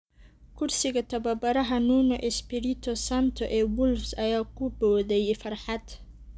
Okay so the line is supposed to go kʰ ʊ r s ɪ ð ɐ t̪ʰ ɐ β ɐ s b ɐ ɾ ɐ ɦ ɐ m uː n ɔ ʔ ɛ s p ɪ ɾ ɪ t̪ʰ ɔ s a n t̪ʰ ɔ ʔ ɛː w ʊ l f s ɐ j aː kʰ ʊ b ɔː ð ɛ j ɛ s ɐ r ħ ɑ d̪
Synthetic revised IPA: kʰ ʊ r s ɪ ɣ ɐ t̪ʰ ɐ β ɐ b ɐ ɾ ɐ ɦ ɐ n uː n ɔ ʔ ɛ s p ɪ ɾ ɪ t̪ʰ ɔ s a n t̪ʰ ɔ ʔ ɛː w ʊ l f s ɐ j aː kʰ ʊ b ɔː ð ɛ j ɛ f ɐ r ħ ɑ d̪